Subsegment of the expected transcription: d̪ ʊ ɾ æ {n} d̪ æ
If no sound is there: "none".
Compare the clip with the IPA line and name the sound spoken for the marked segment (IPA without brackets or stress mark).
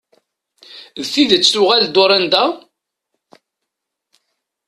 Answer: n